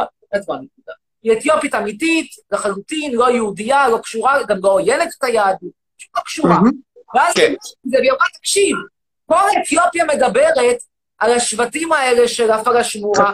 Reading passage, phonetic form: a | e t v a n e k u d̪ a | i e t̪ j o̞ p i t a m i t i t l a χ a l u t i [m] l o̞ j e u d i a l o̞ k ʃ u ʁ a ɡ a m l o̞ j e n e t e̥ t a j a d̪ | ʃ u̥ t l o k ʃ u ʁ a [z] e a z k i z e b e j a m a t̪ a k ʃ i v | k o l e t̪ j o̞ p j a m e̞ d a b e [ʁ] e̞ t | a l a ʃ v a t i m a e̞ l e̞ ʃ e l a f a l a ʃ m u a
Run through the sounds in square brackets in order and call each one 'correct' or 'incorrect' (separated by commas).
incorrect, incorrect, correct